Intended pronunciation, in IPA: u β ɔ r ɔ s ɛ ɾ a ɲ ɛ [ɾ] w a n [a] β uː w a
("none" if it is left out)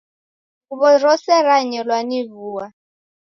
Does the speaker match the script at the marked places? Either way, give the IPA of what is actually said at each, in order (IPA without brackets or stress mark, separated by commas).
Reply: l, i